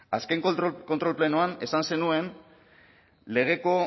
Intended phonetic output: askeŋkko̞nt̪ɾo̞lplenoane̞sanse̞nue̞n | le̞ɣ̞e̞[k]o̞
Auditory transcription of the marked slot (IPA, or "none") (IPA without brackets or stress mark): k